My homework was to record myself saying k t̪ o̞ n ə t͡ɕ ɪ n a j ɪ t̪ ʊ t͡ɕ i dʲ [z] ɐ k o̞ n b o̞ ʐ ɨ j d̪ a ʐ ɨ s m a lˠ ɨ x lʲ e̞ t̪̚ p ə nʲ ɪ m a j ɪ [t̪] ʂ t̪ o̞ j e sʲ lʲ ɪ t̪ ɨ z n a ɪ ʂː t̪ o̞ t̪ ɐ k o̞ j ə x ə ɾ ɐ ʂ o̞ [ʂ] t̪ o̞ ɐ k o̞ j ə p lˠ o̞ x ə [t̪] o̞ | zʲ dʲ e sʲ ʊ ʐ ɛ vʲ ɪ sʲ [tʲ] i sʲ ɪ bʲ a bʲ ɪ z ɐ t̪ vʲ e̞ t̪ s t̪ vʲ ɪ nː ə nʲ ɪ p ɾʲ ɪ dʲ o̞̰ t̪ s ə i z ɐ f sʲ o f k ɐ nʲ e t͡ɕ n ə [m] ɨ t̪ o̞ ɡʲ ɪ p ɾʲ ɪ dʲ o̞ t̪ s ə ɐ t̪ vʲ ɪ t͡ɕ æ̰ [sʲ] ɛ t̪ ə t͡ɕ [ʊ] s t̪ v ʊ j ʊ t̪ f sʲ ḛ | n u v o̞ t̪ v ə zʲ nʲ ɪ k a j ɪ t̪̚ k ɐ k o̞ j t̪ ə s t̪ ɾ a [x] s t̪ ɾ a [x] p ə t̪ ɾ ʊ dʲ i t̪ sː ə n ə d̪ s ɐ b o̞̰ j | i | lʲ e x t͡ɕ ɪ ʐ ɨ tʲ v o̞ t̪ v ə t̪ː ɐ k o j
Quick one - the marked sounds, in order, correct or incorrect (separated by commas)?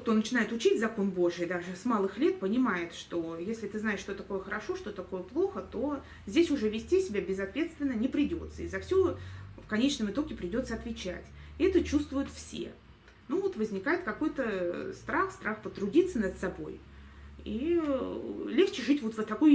correct, correct, correct, correct, correct, correct, incorrect, incorrect, correct, correct